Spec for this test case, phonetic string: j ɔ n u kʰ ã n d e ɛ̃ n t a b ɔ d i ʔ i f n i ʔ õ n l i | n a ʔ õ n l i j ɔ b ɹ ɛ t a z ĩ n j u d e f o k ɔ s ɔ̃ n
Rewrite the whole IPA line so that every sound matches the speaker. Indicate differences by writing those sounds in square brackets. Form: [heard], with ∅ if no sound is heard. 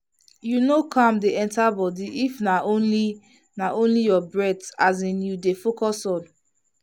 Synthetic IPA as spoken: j [u] n [o] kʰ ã [m] d e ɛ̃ n t a b ɔ d i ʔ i f n [a] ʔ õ n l i | n a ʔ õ n l i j ɔ b ɹ ɛ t a z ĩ n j u d e f o k ɔ s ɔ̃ n